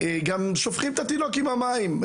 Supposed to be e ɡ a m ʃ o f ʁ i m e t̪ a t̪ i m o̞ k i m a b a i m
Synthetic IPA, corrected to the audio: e ɡ a m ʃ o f χ i m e t̪ a t̪ i n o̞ k i m a m a i m